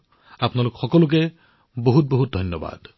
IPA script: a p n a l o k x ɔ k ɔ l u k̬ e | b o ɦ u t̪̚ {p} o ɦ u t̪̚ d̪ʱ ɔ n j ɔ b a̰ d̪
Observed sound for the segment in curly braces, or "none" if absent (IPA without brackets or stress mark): b